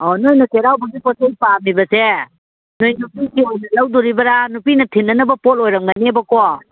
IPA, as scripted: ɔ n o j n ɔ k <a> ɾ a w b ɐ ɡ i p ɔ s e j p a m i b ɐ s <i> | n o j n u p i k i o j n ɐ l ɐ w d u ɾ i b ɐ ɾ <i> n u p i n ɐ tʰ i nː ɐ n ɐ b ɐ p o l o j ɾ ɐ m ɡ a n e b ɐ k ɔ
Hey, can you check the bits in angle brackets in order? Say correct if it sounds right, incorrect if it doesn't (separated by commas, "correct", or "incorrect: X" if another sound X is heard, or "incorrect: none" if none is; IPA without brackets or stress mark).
incorrect: e, incorrect: e, incorrect: a